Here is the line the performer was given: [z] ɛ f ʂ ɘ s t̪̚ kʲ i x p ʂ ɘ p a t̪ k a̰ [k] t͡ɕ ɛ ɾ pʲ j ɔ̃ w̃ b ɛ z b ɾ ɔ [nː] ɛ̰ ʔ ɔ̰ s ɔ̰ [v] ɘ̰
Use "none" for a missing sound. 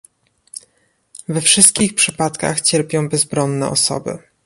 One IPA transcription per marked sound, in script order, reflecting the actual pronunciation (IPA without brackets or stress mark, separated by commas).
v, x, nː, b